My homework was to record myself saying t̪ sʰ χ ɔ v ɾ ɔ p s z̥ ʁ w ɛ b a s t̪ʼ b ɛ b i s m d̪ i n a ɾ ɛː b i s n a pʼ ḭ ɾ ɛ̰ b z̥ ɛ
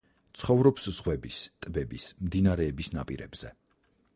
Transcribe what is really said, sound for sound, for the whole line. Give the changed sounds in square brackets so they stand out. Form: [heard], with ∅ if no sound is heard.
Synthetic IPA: t̪ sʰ χ ɔ v ɾ ɔ p s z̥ ʁ w ɛ b [i] s t̪ʼ b ɛ b i s m d̪ i n a ɾ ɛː b i s n a pʼ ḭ ɾ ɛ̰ b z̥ ɛ